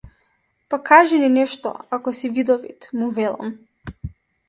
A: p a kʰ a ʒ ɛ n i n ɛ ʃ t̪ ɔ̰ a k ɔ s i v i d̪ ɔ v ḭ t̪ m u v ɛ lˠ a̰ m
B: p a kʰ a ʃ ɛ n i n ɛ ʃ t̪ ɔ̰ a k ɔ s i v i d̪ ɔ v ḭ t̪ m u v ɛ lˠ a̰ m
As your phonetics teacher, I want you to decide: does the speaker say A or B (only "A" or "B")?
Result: A